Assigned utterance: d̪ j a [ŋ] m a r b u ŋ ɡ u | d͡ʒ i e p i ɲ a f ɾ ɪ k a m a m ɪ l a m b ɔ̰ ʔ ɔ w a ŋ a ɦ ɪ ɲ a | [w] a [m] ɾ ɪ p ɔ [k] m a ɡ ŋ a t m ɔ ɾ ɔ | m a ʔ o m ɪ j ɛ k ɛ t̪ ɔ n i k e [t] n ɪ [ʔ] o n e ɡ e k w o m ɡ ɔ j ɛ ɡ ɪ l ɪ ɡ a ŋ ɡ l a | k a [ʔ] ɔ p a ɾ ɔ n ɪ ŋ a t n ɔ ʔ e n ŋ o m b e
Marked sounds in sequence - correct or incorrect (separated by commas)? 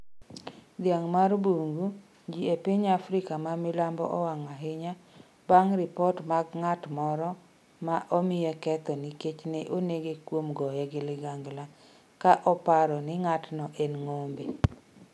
correct, incorrect, incorrect, incorrect, incorrect, correct, correct